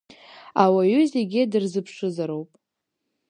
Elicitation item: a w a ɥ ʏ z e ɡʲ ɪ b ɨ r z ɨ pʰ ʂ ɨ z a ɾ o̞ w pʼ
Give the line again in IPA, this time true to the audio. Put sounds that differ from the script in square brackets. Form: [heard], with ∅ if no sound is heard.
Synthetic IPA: a w a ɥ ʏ z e ɡʲ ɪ [d] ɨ r z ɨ pʰ ʂ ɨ z a ɾ o̞ w pʼ

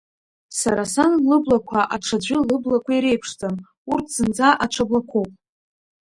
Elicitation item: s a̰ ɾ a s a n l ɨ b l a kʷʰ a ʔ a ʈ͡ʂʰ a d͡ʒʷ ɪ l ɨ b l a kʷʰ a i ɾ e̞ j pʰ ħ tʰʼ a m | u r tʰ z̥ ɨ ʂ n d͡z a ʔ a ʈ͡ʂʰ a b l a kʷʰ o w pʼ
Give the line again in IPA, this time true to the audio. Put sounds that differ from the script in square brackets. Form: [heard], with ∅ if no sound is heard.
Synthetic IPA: s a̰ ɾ a s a n l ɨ b l a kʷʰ a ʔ a ʈ͡ʂʰ a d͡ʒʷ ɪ l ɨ b l a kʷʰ a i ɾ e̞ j pʰ [ʂ] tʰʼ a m | u r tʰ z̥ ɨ [∅] n d͡z a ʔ a ʈ͡ʂʰ a b l a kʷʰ o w pʼ

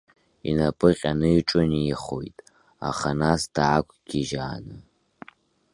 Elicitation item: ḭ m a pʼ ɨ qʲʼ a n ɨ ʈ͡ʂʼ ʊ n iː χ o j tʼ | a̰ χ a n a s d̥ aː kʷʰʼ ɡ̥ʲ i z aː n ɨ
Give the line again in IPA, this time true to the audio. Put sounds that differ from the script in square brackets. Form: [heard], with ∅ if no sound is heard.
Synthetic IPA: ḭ [n] a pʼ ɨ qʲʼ a n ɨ ʈ͡ʂʼ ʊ n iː χ o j tʼ | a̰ χ a n a s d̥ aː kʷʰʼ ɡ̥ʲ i [ʒ] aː n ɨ

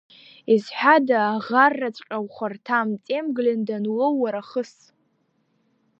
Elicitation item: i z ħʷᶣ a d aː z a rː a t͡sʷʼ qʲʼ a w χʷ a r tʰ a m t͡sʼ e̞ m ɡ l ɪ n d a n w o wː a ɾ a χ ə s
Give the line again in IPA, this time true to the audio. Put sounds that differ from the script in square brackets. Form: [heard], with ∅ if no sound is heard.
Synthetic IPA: i z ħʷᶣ a d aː [ʁ] a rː a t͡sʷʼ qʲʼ a w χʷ a r tʰ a m t͡sʼ e̞ m ɡ l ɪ n d a n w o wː a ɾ a χ ə s

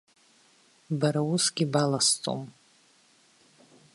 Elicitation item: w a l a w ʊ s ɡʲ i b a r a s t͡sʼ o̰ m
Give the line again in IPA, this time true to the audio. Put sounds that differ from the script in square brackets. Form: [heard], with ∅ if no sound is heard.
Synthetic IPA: [b] a [ɾ] a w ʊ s ɡʲ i b a [l] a s t͡sʼ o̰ m

